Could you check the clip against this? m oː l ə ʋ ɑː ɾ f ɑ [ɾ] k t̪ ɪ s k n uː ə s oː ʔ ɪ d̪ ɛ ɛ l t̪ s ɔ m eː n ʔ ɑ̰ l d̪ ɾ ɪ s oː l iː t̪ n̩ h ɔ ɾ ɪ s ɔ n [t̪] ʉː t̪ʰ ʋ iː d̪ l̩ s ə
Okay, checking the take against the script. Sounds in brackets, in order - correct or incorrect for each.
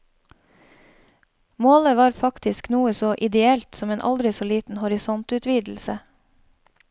incorrect, correct

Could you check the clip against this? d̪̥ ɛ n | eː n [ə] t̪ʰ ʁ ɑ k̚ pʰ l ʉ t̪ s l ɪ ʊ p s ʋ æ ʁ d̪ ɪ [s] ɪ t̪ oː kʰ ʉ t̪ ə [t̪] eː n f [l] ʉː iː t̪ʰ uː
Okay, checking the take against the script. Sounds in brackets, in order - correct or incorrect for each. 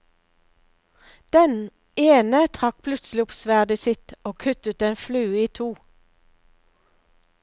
correct, correct, correct, correct

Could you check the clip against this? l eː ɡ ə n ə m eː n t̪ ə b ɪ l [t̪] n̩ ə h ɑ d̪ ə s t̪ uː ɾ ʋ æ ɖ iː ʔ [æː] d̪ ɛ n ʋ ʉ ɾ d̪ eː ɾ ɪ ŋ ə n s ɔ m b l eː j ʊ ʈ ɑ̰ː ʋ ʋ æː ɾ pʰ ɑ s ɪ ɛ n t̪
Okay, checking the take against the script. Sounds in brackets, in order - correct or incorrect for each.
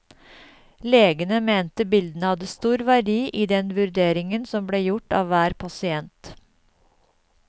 incorrect, incorrect

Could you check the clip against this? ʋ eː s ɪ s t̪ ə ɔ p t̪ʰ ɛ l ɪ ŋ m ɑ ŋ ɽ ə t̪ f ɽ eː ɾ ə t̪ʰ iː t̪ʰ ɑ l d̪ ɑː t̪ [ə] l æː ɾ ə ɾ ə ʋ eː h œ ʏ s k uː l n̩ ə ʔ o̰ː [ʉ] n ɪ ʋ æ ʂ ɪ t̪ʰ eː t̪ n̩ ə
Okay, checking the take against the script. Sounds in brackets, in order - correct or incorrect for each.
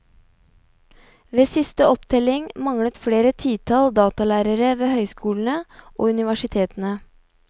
incorrect, correct

